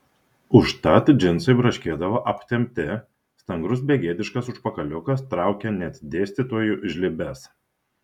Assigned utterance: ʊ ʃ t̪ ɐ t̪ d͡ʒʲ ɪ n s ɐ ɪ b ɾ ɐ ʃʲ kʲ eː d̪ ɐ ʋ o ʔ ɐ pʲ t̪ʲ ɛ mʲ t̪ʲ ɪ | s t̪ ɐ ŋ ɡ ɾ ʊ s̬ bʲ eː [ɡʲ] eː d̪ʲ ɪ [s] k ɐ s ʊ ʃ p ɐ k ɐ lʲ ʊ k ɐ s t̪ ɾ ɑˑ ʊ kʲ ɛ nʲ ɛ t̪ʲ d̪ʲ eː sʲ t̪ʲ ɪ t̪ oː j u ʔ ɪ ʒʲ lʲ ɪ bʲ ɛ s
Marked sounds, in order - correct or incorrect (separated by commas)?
correct, incorrect